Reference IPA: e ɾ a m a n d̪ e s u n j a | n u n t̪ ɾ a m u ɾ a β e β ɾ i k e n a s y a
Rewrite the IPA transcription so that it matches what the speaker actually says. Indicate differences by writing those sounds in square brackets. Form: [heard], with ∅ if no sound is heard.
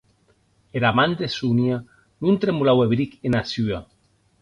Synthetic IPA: e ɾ a m a n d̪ e s u n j a | n u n t̪ ɾ [e] m u [l] a [w] e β ɾ i k e n a s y a